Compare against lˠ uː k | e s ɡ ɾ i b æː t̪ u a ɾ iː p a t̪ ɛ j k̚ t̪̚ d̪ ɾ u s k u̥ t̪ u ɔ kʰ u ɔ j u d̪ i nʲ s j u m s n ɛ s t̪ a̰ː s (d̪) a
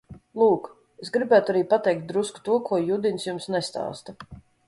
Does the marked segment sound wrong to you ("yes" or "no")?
yes